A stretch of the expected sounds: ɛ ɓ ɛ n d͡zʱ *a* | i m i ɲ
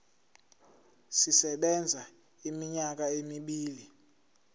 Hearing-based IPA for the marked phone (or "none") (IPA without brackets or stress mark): a